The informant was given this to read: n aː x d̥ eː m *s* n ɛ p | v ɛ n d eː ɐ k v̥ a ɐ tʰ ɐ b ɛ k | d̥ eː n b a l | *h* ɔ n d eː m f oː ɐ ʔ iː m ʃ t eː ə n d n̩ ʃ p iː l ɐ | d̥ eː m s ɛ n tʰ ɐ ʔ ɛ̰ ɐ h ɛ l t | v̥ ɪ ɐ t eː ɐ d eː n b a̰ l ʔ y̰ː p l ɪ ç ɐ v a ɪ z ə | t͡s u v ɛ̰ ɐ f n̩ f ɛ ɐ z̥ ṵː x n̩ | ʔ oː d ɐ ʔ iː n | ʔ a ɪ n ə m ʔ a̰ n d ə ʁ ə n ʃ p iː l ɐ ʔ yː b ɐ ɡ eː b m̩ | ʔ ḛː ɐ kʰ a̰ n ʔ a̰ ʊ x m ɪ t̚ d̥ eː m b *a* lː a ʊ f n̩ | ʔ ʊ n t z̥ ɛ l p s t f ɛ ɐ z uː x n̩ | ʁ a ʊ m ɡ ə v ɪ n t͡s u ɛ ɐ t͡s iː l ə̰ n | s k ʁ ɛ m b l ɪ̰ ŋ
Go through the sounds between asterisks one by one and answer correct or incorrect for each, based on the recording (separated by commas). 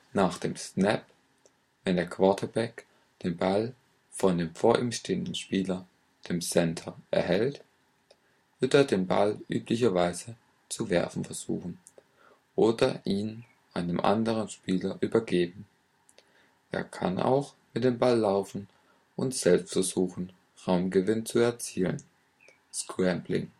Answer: correct, incorrect, correct